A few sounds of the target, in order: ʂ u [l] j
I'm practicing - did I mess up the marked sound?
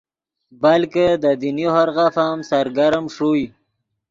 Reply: yes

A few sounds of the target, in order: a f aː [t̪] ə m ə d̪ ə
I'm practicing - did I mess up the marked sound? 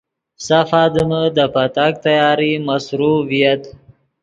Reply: yes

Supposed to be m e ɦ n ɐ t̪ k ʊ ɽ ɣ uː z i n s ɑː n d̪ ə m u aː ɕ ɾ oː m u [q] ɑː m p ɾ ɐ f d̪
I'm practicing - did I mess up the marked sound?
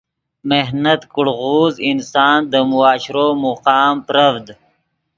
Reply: no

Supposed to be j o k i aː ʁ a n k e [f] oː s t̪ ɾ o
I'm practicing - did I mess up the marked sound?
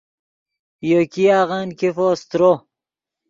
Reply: no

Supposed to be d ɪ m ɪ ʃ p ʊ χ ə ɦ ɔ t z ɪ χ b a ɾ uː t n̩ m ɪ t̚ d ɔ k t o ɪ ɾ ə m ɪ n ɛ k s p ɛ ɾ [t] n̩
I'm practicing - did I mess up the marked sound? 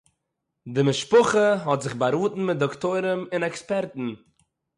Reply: no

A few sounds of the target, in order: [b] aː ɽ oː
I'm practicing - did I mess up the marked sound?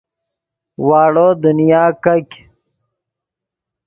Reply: yes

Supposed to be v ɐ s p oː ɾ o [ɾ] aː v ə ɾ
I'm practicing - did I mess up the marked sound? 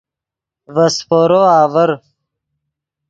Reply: yes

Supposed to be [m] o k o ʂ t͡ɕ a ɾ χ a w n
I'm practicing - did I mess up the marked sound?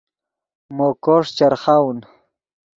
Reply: no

